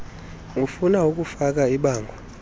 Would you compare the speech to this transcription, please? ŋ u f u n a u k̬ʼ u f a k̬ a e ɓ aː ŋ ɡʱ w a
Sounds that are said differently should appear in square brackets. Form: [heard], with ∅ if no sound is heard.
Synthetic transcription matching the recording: ŋ u f u n a u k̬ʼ u f a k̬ a [i] ɓ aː ŋ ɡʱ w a